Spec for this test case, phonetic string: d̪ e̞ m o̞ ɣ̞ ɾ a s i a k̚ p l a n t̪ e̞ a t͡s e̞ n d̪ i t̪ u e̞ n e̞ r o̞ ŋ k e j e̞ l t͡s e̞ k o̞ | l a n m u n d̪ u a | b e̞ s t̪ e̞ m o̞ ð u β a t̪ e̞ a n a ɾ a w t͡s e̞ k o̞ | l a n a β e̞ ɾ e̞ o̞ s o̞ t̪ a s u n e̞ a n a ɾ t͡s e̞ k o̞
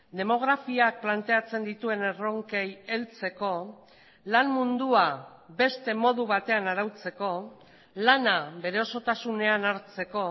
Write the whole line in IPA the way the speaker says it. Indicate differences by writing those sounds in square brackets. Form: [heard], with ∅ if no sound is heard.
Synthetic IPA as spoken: d̪ e̞ m o̞ ɣ̞ ɾ a [f] i a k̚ p l a n t̪ e̞ a t͡s e̞ n d̪ i t̪ u e̞ n e̞ r o̞ ŋ k e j e̞ l t͡s e̞ k o̞ | l a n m u n d̪ u a | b e̞ s t̪ e̞ m o̞ ð u β a t̪ e̞ a n a ɾ a w t͡s e̞ k o̞ | l a n a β e̞ ɾ e̞ o̞ s o̞ t̪ a s u n e̞ a n a ɾ t͡s e̞ k o̞